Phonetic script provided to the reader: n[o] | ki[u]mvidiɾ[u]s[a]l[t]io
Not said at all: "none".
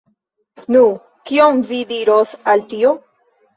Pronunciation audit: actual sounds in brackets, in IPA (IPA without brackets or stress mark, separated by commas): u, o, o, a, t